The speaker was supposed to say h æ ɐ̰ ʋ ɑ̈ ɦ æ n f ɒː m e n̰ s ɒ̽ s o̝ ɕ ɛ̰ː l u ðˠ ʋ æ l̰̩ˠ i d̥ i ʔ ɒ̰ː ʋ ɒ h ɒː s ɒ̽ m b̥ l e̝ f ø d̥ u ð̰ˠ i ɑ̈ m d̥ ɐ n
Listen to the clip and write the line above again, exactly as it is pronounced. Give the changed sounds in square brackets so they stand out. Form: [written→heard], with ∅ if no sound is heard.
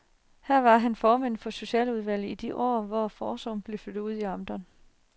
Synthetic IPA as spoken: h æ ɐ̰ ʋ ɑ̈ ɦ æ n f ɒː m e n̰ [s→f] ɒ̽ s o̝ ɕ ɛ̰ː l u ðˠ ʋ æ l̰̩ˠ i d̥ i ʔ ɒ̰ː ʋ ɒ [h→f] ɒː s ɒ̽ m b̥ l e̝ f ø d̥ u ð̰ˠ i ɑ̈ m d̥ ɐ n

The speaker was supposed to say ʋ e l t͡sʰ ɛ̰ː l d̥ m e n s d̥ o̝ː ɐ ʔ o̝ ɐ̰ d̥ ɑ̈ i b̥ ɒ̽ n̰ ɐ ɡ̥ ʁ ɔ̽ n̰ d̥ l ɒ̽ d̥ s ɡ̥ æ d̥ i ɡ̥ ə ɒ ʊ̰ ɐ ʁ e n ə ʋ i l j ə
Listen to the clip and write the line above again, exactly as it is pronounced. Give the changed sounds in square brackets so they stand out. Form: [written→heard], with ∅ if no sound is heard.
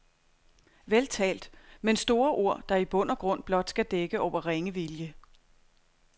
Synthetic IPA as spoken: ʋ e l t͡sʰ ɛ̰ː l d̥ m e n s d̥ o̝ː ɐ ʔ o̝ ɐ̰ d̥ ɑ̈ i b̥ [ɒ̽→ɔ̽] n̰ ɐ ɡ̥ ʁ ɔ̽ n̰ [d̥→b̥] l ɒ̽ d̥ s ɡ̥ æ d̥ [i→e] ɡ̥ ə ɒ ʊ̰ ɐ ʁ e [n→ŋ] ə ʋ i l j ə

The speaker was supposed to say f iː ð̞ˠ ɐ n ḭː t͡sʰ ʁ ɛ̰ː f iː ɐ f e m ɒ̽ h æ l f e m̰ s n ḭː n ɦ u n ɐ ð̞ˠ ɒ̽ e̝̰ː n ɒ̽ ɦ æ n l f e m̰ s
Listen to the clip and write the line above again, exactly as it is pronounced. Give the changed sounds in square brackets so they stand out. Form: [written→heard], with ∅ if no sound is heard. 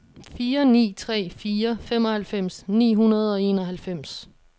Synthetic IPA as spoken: f iː [ð̞ˠ→∅] ɐ n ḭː t͡sʰ ʁ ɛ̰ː f iː ɐ f e m ɒ̽ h æ l f e m̰ s n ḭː [n→∅] ɦ u n ɐ ð̞ˠ ɒ̽ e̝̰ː n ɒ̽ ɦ æ [n→∅] l f e m̰ s

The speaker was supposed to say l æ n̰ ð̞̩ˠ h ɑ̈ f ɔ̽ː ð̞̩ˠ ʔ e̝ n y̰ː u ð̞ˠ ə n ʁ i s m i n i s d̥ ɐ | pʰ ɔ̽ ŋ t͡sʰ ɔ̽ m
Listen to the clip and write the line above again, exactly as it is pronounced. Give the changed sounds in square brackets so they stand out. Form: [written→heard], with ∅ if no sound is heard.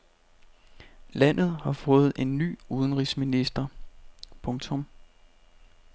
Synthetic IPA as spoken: l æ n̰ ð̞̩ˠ h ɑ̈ f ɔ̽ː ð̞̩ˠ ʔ e̝ [n→nː] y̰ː u ð̞ˠ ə n ʁ i s m i n i s d̥ ɐ | pʰ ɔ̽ ŋ t͡sʰ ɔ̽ m

